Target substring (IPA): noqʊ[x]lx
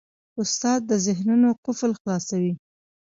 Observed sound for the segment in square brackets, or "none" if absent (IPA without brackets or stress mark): f